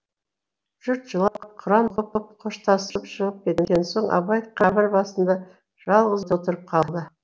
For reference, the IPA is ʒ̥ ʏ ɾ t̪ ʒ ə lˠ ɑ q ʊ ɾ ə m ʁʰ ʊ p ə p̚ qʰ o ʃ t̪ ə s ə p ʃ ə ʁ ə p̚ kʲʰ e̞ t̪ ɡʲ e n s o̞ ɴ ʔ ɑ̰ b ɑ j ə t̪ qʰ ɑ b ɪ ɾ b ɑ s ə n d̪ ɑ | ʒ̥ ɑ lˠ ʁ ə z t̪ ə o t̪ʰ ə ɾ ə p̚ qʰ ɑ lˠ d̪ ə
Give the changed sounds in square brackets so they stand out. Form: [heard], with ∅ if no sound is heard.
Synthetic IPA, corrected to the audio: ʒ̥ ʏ ɾ t̪ ʒ ə lˠ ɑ [qʰ] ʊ ɾ [ɑ] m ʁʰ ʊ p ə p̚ qʰ o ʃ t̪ [ɑ] s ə p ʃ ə ʁ ə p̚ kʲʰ e̞ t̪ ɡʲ e n s o̞ ɴ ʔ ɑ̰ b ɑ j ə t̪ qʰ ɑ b ɪ ɾ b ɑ s ə n d̪ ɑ | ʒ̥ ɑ lˠ ʁ ə z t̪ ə o [t̪] ə ɾ ə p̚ qʰ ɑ lˠ d̪ ə

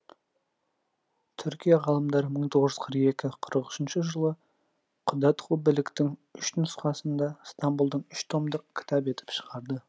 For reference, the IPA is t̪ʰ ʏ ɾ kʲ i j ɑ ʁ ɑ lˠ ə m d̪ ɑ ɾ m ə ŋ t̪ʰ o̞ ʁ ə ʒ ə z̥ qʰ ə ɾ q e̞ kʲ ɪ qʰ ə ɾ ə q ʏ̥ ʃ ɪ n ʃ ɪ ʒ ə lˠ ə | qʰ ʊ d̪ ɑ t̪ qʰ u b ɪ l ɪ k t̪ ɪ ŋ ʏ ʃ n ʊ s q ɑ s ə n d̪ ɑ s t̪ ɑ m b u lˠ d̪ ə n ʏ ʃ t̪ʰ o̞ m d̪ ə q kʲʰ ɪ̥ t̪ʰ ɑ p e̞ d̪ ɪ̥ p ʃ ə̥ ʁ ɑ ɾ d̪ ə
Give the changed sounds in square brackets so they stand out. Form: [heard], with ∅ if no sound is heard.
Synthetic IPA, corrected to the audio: t̪ʰ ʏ ɾ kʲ i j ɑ ʁ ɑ lˠ ə m d̪ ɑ ɾ m ə [ɴ] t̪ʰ o̞ ʁ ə ʒ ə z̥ qʰ ə ɾ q e̞ kʲ ɪ qʰ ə ɾ ə q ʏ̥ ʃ ɪ n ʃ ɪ ʒ ə lˠ ə | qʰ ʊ d̪ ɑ t̪ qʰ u b ɪ l ɪ k t̪ ɪ ŋ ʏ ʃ n ʊ s q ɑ s ə n d̪ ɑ s t̪ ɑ m b u lˠ d̪ ə [ɴ] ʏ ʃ t̪ʰ o̞ m d̪ ə q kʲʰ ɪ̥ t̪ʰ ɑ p e̞ [t̪] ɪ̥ p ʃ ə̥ ʁ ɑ ɾ d̪ ə

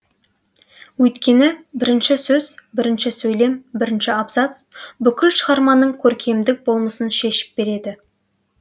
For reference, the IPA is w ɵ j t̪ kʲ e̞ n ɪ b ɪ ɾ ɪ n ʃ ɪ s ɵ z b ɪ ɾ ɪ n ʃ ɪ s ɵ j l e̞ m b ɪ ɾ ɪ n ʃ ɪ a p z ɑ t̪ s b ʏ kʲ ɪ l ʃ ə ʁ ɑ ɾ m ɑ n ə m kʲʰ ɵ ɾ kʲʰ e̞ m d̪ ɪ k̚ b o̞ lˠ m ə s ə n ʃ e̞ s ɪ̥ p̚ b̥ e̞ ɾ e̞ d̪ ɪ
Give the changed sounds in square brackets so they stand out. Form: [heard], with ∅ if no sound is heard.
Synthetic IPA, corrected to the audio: w ɵ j t̪ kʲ e̞ n ɪ b ɪ ɾ ɪ n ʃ ɪ s ɵ z b ɪ ɾ ɪ n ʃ ɪ s ɵ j l e̞ m b ɪ ɾ ɪ n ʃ ɪ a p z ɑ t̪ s b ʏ kʲ ɪ l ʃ ə ʁ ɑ ɾ m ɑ n ə [ɴ] kʲʰ ɵ ɾ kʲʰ e̞ m d̪ ɪ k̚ b o̞ lˠ m ə s ə n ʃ e̞ [ʃ] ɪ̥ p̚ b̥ e̞ ɾ e̞ d̪ ɪ

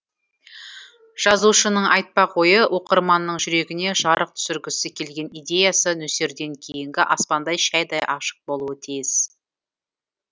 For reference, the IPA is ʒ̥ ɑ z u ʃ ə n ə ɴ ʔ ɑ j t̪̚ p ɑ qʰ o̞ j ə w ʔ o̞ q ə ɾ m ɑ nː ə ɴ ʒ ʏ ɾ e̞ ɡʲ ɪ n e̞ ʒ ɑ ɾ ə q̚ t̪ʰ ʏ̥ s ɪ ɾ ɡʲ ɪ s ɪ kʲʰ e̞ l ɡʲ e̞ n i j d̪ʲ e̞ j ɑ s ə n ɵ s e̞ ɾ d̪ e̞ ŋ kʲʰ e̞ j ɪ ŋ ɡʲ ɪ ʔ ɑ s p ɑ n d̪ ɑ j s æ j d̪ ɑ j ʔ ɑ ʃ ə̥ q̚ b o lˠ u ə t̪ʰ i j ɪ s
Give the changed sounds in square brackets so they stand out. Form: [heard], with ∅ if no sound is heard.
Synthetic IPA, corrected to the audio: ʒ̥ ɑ z u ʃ ə n ə ɴ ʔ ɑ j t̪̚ p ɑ qʰ o̞ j ə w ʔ o̞ q ə ɾ m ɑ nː ə ɴ ʒ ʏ ɾ e̞ ɡʲ ɪ n e̞ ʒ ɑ ɾ ə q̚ t̪ʰ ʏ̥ s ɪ ɾ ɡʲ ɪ s ɪ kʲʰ e̞ l ɡʲ e̞ n i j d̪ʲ e̞ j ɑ s ə n ɵ s e̞ ɾ d̪ e̞ ŋ kʲʰ e̞ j ɪ ŋ ɡʲ ɪ ʔ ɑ s p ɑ n d̪ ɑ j [ʃ] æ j d̪ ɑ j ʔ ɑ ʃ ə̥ q̚ b o lˠ u ə t̪ʰ i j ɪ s

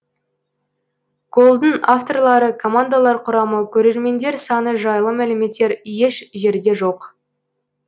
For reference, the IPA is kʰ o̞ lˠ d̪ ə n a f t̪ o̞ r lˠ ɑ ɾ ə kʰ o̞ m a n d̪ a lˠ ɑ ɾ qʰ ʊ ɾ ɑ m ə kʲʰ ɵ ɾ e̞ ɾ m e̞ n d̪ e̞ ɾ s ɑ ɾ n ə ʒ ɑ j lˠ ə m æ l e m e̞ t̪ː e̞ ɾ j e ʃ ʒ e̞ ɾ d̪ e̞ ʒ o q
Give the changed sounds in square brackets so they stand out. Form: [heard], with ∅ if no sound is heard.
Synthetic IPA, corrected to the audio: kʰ o̞ lˠ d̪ ə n a f t̪ o̞ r lˠ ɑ ɾ ə kʰ o̞ m a n d̪ a lˠ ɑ ɾ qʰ ʊ ɾ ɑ m ə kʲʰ ɵ ɾ e̞ ɾ m e̞ n d̪ e̞ ɾ s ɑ [∅] n ə ʒ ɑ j lˠ ə m æ l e m e̞ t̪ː e̞ ɾ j e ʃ ʒ e̞ ɾ d̪ e̞ ʒ o q

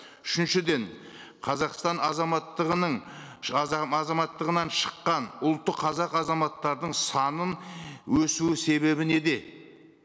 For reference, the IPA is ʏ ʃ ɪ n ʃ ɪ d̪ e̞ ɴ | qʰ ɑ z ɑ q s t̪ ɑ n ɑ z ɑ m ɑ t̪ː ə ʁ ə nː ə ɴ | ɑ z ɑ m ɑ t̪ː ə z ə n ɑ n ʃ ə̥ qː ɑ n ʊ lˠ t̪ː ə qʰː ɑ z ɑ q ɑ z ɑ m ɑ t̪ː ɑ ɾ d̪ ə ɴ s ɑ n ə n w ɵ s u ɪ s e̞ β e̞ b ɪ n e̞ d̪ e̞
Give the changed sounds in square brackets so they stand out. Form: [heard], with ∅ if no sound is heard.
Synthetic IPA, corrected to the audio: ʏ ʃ ɪ n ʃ ɪ d̪ e̞ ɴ | qʰ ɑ z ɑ q s t̪ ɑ n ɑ z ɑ m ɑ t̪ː ə ʁ ə [n] ə ɴ | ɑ z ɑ m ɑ t̪ː ə [ʁ] ə n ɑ n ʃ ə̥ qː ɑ n ʊ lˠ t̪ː ə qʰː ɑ z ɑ q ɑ z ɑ m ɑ t̪ː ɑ ɾ d̪ ə ɴ s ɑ n ə n w ɵ s u ɪ s e̞ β e̞ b ɪ n e̞ d̪ e̞

